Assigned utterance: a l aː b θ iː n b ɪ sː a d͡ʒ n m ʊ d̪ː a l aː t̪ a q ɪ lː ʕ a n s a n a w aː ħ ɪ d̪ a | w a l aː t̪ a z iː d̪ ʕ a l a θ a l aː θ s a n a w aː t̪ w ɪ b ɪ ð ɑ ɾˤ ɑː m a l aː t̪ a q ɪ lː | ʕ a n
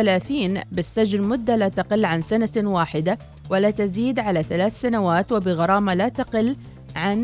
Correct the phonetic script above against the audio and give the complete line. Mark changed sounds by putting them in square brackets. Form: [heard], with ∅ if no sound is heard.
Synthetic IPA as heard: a l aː [∅] θ iː n b ɪ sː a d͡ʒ n m ʊ d̪ː a l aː t̪ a q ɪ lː ʕ a n s a n a w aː ħ ɪ d̪ a | w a l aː t̪ a z iː d̪ ʕ a l a θ a l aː θ s a n a w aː t̪ w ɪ b ɪ [ɣ] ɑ ɾˤ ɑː m a l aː t̪ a q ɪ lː | ʕ a n